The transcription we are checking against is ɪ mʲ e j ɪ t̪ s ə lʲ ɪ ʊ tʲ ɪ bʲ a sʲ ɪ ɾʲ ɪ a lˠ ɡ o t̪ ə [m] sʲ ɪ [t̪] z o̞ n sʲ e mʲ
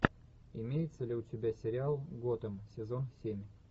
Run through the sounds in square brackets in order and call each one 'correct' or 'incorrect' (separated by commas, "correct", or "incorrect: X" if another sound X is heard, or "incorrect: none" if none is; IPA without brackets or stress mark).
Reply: correct, incorrect: none